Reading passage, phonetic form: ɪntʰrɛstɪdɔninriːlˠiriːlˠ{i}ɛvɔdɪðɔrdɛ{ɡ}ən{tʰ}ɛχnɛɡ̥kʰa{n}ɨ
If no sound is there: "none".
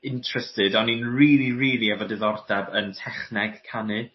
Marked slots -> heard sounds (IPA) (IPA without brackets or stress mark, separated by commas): i, b, tʰ, n